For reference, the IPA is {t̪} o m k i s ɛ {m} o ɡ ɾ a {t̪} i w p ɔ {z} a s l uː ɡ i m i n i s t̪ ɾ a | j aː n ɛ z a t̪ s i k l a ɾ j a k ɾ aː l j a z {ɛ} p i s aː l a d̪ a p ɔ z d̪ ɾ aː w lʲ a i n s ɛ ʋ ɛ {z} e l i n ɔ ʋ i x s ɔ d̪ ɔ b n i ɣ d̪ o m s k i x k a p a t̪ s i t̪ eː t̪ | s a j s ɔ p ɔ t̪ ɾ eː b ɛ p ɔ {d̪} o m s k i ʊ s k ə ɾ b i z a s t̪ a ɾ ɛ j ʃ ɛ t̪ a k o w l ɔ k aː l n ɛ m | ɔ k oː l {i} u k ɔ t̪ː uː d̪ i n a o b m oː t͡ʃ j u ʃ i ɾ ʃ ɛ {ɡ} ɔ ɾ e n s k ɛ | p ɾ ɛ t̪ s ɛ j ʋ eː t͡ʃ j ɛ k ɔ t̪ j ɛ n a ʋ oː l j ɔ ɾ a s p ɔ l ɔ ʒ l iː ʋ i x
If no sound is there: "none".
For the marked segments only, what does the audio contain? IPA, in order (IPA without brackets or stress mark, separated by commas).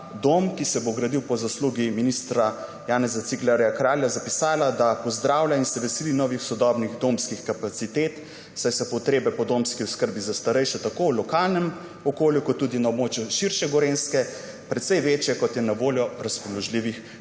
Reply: d̪, b, d̪, z, a, s, d̪, j, ɡ